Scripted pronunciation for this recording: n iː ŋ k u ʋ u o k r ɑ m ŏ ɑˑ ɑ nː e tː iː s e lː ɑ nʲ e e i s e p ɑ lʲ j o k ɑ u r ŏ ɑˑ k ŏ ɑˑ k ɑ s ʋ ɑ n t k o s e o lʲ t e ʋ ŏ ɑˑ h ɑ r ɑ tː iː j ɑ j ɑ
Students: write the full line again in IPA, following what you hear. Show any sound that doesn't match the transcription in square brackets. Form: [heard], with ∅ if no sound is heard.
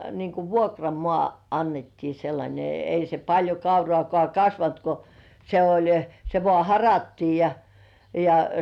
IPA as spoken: n iː ŋ k u ʋ u o k r ɑ m ŏ ɑˑ ɑ nː e tː iː s e lː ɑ nʲ e e i s e p ɑ lʲ j o k ɑ u r ŏ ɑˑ k ŏ ɑˑ k ɑ s ʋ ɑ n t k o s e o lʲ [s] e ʋ ŏ ɑˑ h ɑ r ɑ tː iː j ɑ j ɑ

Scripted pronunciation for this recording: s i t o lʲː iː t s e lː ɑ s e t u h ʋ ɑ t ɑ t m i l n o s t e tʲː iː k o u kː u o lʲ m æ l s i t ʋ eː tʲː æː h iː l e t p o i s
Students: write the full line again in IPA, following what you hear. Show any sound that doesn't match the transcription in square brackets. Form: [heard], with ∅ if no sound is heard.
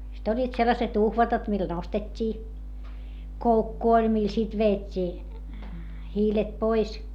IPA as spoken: s i t o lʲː iː t s e lː ɑ s e t u h ʋ ɑ t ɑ t m i l n o s t e tʲː iː k o u kː u o lʲ m [i] l s i t ʋ eː tʲː [iː] h iː l e t p o i s

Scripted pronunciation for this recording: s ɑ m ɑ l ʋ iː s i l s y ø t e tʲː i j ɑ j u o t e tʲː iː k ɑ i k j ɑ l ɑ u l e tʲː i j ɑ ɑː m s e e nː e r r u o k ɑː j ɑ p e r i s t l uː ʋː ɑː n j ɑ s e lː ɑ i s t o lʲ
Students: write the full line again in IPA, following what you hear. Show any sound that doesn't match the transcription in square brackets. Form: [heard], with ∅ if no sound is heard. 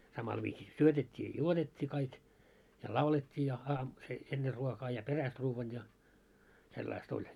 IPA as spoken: s ɑ m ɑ l ʋ iː s i [∅] s y ø t e tʲː [iː] j ɑ j u o t e tʲː iː k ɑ i k j ɑ l ɑ u l e tʲː [iː] j ɑ ɑː m s e e nː e r r u o k ɑː j ɑ p e r [æ] s t [r] uː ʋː [ɑ] n j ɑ s e lː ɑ i s t o lʲ

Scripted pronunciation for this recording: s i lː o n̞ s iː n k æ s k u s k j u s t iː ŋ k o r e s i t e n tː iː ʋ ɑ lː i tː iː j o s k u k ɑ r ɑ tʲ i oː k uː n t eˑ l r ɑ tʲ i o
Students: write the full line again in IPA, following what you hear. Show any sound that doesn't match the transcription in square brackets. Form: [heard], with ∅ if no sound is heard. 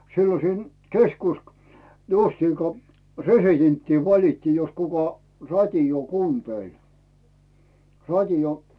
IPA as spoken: s i lː o n̞ s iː n k [e] s k u s k j u s t iː ŋ k o r e s i t e n tː iː ʋ ɑ [l] i tː iː j o s k u k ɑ r ɑ tʲ i oː k uː n t eˑ l r ɑ tʲ i o

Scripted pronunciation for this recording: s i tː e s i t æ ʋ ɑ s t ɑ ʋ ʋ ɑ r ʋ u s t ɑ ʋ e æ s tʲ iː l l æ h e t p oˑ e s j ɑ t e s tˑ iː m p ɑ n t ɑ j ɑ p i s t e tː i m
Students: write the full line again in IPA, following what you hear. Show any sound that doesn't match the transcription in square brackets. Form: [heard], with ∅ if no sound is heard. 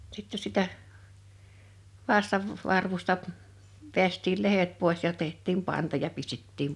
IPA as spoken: s i tː e s i t æ ʋ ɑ s t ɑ ʋ ʋ ɑ r ʋ u s t ɑ ʋ e æ s tʲ iː l l [e] h e t p oˑ e s j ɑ t e [h] tˑ iː m p ɑ n t ɑ j ɑ p i s t e tː [iː] m

